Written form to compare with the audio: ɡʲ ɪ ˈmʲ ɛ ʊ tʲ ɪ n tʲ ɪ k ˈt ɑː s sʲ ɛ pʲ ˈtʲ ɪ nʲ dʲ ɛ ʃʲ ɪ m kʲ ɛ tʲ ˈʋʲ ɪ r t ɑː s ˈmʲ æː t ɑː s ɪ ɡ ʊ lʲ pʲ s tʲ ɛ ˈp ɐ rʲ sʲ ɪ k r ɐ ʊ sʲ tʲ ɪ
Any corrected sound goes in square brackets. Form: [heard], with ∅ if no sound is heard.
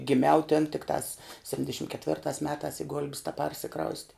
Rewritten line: ɡʲ ɪ ˈmʲ ɛ ʊ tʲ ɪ n tʲ ɪ k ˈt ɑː s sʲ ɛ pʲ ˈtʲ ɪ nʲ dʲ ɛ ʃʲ ɪ m kʲ ɛ tʲ ˈʋʲ ɪ r t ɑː s ˈmʲ æː t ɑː s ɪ ɡ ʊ lʲ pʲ s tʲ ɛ ˈp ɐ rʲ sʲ ɪ k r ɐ ʊ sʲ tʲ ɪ